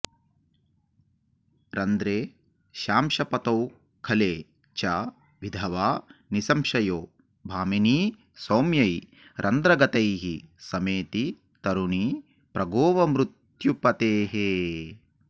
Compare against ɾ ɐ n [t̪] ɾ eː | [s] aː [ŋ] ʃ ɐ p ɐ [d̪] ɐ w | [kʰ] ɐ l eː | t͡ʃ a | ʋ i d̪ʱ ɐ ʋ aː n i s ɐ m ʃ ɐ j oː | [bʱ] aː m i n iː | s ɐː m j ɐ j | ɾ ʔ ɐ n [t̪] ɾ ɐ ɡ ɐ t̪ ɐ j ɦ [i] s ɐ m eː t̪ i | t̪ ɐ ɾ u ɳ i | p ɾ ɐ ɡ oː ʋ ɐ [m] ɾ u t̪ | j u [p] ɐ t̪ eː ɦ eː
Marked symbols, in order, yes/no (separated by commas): no, no, no, no, yes, yes, no, yes, yes, yes